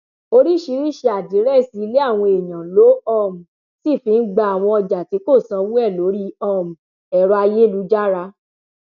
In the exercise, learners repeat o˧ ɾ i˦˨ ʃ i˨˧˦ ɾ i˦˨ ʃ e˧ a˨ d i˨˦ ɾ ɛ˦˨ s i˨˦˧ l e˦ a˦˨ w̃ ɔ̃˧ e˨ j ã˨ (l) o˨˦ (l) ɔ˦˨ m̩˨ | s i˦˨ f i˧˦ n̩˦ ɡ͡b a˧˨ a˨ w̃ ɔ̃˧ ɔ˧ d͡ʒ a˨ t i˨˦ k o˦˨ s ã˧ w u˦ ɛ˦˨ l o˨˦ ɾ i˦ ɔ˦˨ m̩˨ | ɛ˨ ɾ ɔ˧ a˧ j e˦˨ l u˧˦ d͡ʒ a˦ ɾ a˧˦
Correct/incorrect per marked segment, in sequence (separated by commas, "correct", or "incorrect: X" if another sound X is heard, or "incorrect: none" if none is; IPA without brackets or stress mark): correct, incorrect: none